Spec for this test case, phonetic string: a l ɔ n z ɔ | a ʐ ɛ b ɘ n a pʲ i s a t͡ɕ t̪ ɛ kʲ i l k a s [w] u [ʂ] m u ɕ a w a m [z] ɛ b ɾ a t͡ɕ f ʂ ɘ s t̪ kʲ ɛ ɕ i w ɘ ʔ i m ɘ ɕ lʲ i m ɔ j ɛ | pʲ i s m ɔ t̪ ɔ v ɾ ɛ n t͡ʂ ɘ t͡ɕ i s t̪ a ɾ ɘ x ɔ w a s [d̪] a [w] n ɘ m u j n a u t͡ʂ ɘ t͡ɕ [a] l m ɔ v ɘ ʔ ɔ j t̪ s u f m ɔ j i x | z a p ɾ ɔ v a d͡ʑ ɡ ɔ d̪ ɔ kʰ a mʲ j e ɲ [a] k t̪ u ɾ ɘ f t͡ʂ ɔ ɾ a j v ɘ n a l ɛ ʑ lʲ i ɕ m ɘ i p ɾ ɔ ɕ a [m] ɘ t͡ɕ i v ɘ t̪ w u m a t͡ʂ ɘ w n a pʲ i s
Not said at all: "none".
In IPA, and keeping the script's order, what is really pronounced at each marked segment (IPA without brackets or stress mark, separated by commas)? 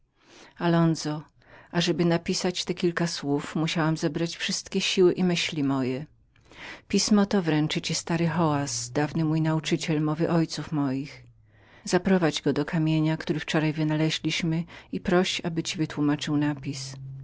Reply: w, f, z, d̪, v, ɛ, a, b